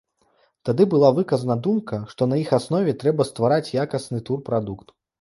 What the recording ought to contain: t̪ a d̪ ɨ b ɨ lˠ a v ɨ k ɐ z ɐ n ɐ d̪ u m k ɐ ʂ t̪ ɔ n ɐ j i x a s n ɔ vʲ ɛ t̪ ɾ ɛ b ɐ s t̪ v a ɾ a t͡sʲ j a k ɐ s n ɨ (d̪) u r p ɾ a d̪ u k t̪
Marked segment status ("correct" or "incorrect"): incorrect